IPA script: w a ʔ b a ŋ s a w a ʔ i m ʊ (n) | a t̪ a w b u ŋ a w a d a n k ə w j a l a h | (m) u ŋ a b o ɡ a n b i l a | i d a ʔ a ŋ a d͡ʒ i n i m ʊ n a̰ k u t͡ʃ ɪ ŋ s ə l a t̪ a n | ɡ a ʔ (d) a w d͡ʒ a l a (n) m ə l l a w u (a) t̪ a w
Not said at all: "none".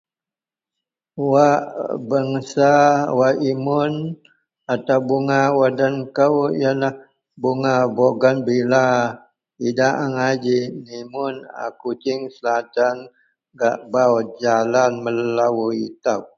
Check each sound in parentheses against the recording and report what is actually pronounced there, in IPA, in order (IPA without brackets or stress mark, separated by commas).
n, b, b, n, i